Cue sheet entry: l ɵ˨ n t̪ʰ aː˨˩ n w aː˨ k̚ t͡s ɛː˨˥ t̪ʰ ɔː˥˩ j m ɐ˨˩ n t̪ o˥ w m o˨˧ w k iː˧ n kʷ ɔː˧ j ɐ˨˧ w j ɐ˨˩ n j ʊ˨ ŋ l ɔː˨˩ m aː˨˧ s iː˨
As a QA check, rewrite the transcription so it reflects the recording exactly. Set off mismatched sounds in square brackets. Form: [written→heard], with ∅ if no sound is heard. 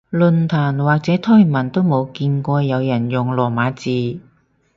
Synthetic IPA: l ɵ˨ n t̪ʰ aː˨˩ n w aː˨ k̚ t͡s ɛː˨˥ t̪ʰ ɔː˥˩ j m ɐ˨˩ n t̪ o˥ w m o˨˧ w k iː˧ n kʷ ɔː˧ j ɐ˨˧ w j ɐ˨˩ n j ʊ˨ ŋ l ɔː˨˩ m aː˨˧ [s→t͡s] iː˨